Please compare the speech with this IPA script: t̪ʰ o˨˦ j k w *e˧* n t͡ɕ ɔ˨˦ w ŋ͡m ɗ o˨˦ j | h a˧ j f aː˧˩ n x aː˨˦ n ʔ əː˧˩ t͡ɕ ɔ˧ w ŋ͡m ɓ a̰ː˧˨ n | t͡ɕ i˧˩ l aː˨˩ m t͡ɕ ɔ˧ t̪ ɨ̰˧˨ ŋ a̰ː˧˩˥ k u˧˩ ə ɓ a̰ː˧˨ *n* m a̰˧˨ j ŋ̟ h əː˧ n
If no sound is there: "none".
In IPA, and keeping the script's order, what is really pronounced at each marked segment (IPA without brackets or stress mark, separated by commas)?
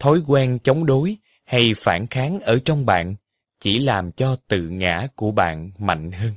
ɛ˧, n